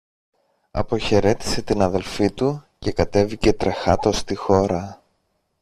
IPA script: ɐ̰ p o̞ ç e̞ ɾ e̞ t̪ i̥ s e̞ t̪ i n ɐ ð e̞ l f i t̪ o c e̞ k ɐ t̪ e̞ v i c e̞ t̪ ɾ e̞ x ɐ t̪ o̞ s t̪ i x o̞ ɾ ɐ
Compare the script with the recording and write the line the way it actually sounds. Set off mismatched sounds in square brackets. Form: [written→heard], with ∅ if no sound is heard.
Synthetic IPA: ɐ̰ p o̞ ç e̞ ɾ e̞ t̪ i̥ s e̞ t̪ i n ɐ ð e̞ l f i t̪ [o→u] c e̞ k ɐ t̪ e̞ v i c e̞ t̪ ɾ e̞ x ɐ t̪ o̞ s t̪ i x o̞ ɾ ɐ

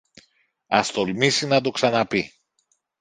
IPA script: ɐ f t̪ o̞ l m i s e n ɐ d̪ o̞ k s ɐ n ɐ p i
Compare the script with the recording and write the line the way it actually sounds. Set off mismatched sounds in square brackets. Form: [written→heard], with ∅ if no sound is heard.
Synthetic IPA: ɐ [f→s] t̪ o̞ l m i s [e→i] n ɐ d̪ o̞ k s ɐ n ɐ p i

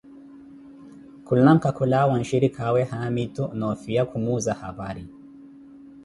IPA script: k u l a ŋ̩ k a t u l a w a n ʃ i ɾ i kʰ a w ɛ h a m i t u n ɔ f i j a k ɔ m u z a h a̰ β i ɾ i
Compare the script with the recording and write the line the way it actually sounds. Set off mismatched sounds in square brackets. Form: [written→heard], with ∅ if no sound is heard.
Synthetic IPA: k u l a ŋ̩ k a [t→k] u l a w a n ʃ i ɾ i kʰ a w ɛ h a m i t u n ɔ f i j a k [ɔ→u] m u z a h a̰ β [i→a] ɾ i

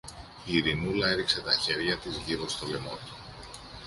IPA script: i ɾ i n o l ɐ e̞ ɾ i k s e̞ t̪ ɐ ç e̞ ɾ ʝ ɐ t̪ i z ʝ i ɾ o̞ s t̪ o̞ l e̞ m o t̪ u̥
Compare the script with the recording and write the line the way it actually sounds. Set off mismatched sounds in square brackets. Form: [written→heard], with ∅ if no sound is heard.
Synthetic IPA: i ɾ i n [o→u] l ɐ e̞ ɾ i k s e̞ t̪ ɐ ç e̞ ɾ ʝ ɐ t̪ i z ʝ i ɾ o̞ s t̪ o̞ l e̞ m o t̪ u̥

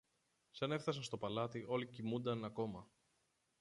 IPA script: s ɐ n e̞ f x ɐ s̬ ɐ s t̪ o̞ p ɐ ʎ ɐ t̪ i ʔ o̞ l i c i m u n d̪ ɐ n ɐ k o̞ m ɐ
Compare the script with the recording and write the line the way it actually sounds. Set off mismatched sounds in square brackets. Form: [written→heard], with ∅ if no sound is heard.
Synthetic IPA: s ɐ n e̞ f [x→θ] ɐ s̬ ɐ s t̪ o̞ p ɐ [ʎ→l] ɐ t̪ i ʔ o̞ l i c i m u n d̪ ɐ n ɐ k o̞ m ɐ

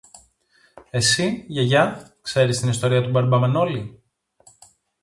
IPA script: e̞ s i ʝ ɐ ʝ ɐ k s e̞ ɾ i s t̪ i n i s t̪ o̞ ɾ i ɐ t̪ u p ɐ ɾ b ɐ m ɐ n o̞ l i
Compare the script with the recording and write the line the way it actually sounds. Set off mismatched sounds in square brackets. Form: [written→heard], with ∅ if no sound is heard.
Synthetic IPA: e̞ s i ʝ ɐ ʝ ɐ k s e̞ ɾ i s t̪ i n i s t̪ o̞ ɾ i ɐ t̪ u [p→b] ɐ ɾ b ɐ m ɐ n o̞ l i

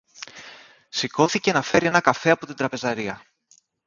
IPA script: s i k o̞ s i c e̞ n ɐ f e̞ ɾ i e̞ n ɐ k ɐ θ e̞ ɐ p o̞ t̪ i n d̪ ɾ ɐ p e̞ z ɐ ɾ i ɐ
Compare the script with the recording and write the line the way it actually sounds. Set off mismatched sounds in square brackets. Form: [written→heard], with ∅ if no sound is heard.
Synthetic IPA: s i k o̞ [s→θ] i c e̞ n ɐ f e̞ ɾ i e̞ n ɐ k ɐ [θ→f] e̞ ɐ p o̞ t̪ i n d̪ ɾ ɐ p e̞ z ɐ ɾ i ɐ

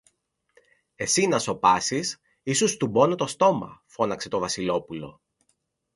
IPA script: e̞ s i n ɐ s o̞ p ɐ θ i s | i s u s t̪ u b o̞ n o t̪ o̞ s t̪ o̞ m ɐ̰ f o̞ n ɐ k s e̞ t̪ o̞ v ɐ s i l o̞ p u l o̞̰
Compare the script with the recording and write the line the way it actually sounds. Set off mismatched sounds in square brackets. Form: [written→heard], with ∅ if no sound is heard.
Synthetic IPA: e̞ s i n ɐ s o̞ p ɐ [θ→s] i s | i s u s t̪ u b o̞ n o t̪ o̞ s t̪ o̞ m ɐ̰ f o̞ n ɐ k s e̞ t̪ o̞ v ɐ s i l o̞ p u l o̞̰

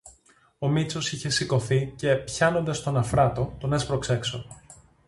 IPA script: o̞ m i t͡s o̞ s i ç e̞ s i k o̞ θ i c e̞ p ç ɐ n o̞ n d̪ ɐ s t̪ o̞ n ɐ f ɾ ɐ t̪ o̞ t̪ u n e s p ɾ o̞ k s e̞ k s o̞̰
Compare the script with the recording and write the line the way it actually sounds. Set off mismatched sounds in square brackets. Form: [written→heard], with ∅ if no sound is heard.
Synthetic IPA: o̞ m i t͡s o̞ s i ç e̞ s i k o̞ θ i c e̞ p ç ɐ n o̞ n d̪ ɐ s t̪ o̞ n ɐ f ɾ ɐ t̪ o̞ t̪ [u→o] n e s p ɾ o̞ k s e̞ k s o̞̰

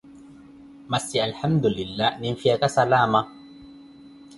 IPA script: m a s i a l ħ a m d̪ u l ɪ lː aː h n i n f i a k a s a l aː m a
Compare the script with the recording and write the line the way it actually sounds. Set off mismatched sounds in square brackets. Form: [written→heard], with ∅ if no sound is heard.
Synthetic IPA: m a s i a l ħ a m d̪ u l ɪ lː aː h n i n f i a k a s a l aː m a

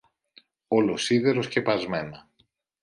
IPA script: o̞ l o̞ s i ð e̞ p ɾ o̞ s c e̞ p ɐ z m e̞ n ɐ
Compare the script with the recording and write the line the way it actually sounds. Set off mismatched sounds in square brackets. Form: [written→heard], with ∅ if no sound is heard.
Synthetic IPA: o̞ l o̞ s i ð e̞ [p→∅] ɾ o̞ s c e̞ p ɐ z m e̞ n ɐ

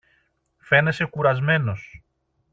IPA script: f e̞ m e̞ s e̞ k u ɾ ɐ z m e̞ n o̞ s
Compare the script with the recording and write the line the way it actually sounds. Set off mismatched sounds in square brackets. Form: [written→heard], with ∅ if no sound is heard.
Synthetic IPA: f e̞ [m→n] e̞ s e̞ k u ɾ ɐ z m e̞ n o̞ s

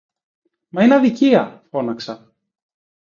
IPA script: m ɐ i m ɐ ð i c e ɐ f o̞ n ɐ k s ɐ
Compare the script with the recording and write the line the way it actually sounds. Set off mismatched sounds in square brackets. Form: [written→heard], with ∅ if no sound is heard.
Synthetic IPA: m ɐ i [m→n] ɐ ð i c [e→i] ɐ f o̞ n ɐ k s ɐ

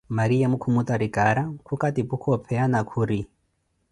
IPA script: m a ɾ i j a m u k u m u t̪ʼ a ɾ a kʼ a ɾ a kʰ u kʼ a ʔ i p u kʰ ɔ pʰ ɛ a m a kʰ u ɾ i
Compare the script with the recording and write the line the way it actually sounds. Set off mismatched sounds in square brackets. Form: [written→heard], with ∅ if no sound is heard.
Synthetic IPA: m a ɾ i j a m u [k→kʰ] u m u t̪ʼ a ɾ [a→i] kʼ a ɾ a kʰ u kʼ a [ʔ→t] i p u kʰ ɔ pʰ ɛ a [m→n] a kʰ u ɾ i

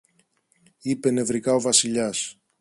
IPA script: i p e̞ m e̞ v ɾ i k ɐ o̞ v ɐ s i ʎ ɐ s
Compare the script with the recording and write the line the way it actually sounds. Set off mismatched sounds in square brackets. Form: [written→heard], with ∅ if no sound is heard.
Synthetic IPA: i p e̞ [m→n] e̞ v ɾ i k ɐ o̞ v ɐ s i ʎ ɐ s

